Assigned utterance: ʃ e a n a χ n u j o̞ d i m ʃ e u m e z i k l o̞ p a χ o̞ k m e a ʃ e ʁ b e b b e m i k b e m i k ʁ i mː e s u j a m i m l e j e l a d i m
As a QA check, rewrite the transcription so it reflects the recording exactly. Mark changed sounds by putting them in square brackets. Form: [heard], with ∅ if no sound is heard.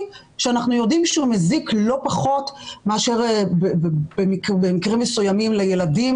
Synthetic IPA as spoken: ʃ e a n a χ n u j o̞ d i m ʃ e u m e z i k l o̞ p a χ o̞ [t] m e a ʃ e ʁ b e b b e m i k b e m i k ʁ i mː e s u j a m i m l e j e l a d i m